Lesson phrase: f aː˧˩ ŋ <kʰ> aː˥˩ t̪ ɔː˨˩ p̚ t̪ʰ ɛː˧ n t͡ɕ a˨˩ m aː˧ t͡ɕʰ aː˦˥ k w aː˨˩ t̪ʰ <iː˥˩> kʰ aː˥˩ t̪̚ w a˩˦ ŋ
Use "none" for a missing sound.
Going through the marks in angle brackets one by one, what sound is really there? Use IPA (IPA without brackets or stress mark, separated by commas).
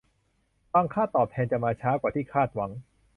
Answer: kʰ, iː˥˩